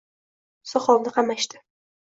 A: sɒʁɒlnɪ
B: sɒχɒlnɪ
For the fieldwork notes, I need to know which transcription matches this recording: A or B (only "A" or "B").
B